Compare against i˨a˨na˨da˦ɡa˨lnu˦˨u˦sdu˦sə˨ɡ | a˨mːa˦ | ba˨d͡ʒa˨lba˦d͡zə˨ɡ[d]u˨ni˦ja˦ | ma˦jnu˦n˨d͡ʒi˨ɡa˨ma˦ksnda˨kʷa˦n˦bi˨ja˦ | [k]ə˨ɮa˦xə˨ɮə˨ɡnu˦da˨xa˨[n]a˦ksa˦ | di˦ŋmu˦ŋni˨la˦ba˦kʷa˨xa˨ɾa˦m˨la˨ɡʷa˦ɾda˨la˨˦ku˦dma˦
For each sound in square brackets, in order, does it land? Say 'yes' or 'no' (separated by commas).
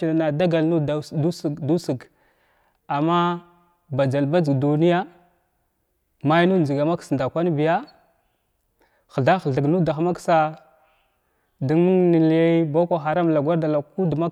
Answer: yes, no, no